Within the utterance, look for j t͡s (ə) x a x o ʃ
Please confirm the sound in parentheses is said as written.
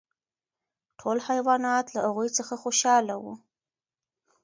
yes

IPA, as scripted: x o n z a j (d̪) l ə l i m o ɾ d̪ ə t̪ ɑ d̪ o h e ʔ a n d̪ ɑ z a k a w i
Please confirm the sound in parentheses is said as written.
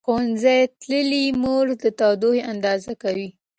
no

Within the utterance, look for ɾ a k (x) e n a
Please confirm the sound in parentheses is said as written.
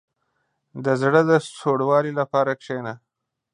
no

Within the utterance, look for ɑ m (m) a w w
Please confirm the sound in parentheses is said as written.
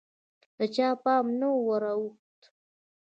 no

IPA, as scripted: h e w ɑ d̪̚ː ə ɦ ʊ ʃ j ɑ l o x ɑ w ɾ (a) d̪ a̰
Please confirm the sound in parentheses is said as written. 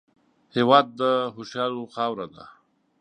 yes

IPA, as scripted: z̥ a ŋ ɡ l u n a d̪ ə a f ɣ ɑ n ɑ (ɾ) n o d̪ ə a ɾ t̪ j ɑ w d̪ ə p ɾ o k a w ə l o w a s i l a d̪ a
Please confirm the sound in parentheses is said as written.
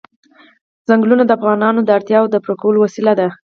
no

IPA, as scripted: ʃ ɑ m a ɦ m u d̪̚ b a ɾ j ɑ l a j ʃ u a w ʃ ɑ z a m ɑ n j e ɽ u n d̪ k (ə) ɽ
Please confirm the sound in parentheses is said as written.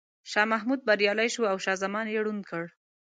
yes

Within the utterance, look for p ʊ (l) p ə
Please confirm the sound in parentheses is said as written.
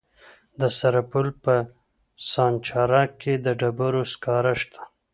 yes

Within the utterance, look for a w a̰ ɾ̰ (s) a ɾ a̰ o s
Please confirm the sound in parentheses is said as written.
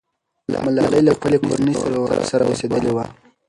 yes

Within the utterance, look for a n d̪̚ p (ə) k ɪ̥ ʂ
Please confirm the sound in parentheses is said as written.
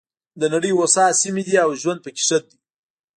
yes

